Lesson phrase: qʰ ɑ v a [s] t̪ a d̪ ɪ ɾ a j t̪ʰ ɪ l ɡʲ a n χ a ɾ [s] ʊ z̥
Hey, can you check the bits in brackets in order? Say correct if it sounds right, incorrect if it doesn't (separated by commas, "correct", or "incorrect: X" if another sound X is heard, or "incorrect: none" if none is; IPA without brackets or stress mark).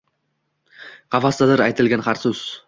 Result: correct, correct